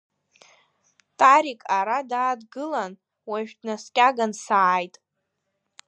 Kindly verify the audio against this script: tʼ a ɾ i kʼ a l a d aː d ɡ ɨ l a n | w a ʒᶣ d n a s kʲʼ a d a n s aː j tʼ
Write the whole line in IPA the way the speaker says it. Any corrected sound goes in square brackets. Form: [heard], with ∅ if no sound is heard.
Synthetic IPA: tʼ a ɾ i kʼ a [ɾ] a d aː d ɡ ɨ l a n | w a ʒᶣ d n a s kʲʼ a [ɡ] a n s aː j tʼ

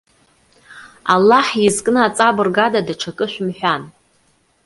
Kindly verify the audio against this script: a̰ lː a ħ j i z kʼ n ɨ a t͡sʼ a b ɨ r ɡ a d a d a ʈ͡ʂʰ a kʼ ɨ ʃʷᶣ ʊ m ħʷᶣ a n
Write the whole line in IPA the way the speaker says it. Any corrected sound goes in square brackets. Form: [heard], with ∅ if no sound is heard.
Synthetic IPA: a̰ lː a ħ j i z kʼ n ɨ a t͡sʼ a b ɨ r ɡ a d a d a ʈ͡ʂʰ a kʼ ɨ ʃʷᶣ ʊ m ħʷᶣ a n

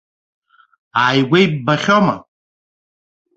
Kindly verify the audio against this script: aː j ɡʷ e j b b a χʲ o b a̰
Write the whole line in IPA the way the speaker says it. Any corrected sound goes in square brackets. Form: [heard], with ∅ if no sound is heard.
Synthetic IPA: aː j ɡʷ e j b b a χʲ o [m] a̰

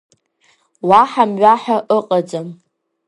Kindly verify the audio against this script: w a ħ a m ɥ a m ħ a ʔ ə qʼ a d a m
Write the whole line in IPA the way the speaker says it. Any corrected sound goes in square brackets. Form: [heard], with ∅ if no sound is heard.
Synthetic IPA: w a ħ a m ɥ a [∅] ħ a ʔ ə qʼ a [d͡z] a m

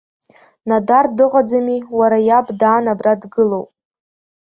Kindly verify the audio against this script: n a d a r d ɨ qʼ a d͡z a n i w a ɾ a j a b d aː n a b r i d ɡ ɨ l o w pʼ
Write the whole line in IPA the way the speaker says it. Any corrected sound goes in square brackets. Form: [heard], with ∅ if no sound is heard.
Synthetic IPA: n a d a r d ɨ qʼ a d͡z a [m] i w a ɾ a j a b d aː n a b r [a] d ɡ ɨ l o w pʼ

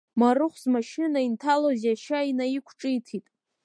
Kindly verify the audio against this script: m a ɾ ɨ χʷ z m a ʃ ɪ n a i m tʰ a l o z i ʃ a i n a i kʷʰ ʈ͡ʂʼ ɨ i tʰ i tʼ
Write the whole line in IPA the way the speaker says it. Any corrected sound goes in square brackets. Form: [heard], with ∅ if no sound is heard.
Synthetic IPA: m a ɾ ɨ χʷ z m a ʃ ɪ n a i [n] tʰ a l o z [a] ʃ a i n a i kʷʰ ʈ͡ʂʼ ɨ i tʰ i tʼ

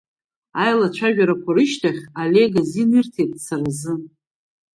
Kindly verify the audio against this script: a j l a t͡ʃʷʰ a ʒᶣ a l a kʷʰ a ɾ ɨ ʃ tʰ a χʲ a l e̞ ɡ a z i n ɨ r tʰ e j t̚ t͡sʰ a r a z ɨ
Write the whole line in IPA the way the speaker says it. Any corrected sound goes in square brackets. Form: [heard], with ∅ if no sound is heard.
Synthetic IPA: a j l a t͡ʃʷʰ a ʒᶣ a [ɾ] a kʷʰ a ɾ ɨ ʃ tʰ a χʲ a l e̞ ɡ a z i n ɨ r tʰ e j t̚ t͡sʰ a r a z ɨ

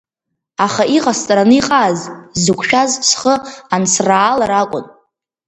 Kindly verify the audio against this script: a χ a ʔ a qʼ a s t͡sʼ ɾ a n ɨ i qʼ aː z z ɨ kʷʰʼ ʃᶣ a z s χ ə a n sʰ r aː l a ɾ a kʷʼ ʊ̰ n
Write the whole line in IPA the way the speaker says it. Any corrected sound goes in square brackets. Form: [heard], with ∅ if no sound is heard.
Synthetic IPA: a χ a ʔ [i] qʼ a s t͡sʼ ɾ a n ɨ i qʼ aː z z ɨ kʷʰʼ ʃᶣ a z s χ ə a n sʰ r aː l a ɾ a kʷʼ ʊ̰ n

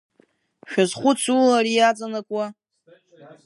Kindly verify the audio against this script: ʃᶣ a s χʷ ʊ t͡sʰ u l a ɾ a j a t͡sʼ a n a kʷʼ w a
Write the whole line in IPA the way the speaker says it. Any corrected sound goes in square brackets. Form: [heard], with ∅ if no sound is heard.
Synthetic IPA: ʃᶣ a [z] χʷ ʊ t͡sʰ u l a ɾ [i] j a t͡sʼ a n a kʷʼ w a

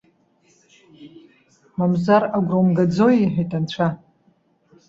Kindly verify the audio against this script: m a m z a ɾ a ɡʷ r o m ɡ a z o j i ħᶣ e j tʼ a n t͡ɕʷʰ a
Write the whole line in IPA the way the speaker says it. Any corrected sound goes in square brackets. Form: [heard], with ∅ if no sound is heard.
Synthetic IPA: m a m z a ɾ a ɡʷ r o m ɡ a [d͡z] o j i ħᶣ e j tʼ a n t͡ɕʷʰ a

